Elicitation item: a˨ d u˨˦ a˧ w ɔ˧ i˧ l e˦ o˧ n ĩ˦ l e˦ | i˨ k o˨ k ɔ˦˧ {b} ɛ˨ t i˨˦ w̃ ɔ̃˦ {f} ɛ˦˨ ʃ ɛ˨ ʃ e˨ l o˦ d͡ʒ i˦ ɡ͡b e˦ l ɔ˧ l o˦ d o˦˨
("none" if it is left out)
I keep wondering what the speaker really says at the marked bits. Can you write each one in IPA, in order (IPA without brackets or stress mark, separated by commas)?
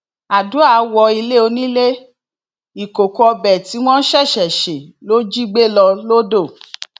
b, ʃ